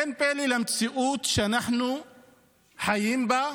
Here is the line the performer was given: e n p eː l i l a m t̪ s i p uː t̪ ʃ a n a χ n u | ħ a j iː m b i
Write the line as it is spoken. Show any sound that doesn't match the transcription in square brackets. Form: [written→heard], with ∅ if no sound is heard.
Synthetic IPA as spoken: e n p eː l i l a m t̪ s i [p→ʔ] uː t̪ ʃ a n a [χ→ħ] n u | ħ a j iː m b [i→a]